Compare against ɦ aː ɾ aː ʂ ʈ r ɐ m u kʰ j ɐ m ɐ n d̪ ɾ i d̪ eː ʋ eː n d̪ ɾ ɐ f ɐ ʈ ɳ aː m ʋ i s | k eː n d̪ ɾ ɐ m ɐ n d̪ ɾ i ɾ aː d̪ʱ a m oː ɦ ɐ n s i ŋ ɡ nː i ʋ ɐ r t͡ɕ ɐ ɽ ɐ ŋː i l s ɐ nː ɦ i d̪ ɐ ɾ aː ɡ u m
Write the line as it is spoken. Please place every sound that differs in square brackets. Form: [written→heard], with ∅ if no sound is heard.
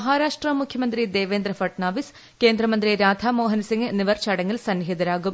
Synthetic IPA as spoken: ɦ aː ɾ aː ʂ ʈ r ɐ m u kʰ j ɐ m ɐ n d̪ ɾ i d̪ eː ʋ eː n d̪ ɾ ɐ f ɐ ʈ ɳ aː [m→∅] ʋ i s | k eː n d̪ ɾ ɐ m ɐ n d̪ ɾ i ɾ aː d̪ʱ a m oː ɦ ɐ n s i ŋ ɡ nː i ʋ ɐ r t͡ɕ ɐ ɽ ɐ ŋː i l s ɐ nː ɦ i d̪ ɐ ɾ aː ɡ u m

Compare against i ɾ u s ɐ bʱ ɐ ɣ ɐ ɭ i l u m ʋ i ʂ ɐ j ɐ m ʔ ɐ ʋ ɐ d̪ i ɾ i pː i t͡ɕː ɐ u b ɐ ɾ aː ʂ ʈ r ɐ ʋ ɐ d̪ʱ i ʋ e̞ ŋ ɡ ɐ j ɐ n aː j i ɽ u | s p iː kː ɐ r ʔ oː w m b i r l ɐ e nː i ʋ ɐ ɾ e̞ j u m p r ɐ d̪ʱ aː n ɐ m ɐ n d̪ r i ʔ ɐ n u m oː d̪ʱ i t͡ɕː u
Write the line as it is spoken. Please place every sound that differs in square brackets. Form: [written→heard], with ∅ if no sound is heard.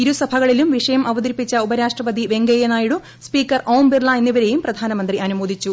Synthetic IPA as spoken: i ɾ u s ɐ bʱ ɐ ɣ ɐ ɭ i l u m ʋ i ʂ ɐ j ɐ m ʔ ɐ ʋ ɐ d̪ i ɾ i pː i t͡ɕː ɐ u b ɐ ɾ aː ʂ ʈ r ɐ ʋ ɐ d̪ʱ i ʋ e̞ ŋ ɡ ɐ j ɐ n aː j i ɽ u | s p iː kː ɐ r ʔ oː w m b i r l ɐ e nː i ʋ ɐ ɾ e̞ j u m p r ɐ d̪ʱ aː n ɐ m ɐ n d̪ r i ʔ ɐ n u m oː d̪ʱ i t͡ɕː u

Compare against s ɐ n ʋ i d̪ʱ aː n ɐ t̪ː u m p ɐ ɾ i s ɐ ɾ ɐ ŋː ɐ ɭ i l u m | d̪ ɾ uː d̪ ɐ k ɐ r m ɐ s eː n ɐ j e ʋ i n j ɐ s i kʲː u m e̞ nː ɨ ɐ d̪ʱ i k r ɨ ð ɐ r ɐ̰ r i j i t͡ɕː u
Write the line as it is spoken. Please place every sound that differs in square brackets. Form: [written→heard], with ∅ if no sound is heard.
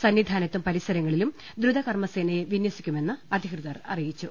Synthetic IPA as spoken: s ɐ n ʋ i d̪ʱ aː n ɐ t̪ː u m p ɐ ɾ i s ɐ ɾ ɐ ŋː ɐ ɭ i l u m | d̪ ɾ [uː→u] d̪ ɐ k ɐ r m ɐ s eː n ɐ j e ʋ i n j ɐ s i kʲː u m e̞ nː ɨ ɐ d̪ʱ i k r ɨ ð ɐ r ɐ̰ r i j i t͡ɕː u

